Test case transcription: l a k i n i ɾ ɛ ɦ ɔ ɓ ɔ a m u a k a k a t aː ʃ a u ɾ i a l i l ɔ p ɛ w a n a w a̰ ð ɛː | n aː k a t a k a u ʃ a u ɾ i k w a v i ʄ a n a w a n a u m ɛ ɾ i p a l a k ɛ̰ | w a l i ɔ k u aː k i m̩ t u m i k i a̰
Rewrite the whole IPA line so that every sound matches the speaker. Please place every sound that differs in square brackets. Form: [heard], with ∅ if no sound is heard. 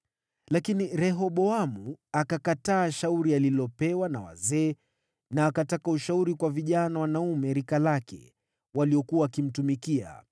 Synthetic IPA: l a k i n i ɾ ɛ ɦ ɔ ɓ ɔ a m u a k a k a t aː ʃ a u ɾ i a l i l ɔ p ɛ w a n a w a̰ [z] ɛː | n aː k a t a k a u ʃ a u ɾ i k w a v i ʄ a n a w a n a u m ɛ ɾ i [k] a l a k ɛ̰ | w a l i ɔ k u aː k i m̩ t u m i k i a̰